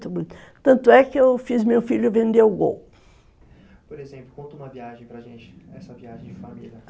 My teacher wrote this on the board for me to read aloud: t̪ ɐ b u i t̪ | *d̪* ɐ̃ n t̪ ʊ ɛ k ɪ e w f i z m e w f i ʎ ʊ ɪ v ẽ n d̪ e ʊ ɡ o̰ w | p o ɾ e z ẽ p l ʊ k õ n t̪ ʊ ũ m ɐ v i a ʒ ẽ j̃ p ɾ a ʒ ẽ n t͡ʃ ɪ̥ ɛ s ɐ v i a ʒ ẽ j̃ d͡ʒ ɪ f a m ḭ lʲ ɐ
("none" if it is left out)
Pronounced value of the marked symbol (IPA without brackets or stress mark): t̪